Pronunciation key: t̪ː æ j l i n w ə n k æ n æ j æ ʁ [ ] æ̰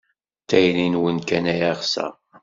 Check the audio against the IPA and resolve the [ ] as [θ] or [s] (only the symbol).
s